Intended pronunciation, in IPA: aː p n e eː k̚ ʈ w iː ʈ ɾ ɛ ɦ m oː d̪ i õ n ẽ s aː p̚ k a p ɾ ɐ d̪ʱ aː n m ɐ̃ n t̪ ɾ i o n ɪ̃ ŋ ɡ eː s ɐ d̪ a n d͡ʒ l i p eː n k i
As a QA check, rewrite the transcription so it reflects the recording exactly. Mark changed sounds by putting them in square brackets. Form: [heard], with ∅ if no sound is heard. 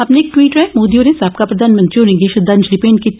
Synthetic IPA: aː p n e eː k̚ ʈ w iː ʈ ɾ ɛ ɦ m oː d̪ i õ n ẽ s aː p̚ k a p ɾ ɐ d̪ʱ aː n m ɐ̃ n t̪ ɾ i o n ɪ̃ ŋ ɡ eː [ʃ] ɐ d̪ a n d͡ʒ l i p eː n k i